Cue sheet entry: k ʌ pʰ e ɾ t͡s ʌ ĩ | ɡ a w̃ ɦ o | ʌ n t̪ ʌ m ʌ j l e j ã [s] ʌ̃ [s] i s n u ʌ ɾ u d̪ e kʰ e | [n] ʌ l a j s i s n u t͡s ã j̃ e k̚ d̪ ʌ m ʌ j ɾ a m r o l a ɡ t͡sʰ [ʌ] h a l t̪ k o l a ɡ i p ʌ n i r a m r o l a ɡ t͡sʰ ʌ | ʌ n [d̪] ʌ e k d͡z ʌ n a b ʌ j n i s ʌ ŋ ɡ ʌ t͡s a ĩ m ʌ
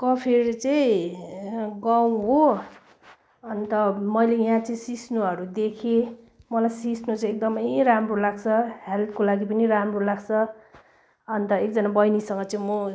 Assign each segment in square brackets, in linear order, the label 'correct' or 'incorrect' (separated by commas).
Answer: incorrect, correct, incorrect, correct, incorrect